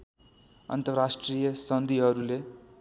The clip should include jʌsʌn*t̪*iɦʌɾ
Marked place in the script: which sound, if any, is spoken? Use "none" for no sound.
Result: d̪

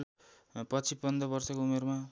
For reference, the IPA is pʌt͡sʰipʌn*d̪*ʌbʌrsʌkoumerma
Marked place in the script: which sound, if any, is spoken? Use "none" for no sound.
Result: d̪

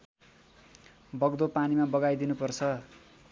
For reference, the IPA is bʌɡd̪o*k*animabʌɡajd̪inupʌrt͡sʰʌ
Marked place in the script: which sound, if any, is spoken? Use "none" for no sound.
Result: p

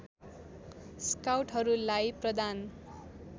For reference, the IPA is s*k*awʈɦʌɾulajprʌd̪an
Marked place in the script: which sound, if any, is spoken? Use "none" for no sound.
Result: k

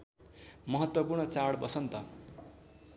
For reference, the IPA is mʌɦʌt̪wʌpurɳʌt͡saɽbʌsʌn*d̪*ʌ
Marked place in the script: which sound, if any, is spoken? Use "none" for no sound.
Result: t̪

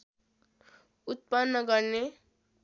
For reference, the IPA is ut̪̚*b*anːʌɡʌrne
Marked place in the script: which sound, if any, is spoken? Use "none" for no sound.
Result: p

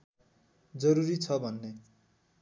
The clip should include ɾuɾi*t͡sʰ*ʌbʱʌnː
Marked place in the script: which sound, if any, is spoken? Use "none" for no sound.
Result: t͡sʰ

